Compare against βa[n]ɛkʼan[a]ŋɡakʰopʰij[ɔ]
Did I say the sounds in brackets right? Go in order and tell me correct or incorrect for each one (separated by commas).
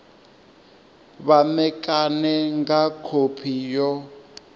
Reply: incorrect, incorrect, correct